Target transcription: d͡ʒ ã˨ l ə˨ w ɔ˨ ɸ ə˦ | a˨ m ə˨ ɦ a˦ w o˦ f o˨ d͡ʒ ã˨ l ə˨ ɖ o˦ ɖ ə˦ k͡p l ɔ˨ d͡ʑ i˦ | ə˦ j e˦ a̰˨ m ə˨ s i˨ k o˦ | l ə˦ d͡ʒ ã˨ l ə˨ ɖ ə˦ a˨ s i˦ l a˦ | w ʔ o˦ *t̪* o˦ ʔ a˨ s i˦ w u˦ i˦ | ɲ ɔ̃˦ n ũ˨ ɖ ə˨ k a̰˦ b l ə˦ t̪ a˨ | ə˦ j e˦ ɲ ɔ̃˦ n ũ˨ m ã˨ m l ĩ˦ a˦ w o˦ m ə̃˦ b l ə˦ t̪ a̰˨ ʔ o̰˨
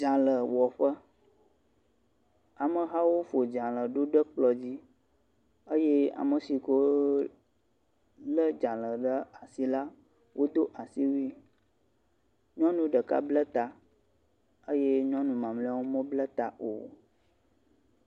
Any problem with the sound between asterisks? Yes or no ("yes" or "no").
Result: yes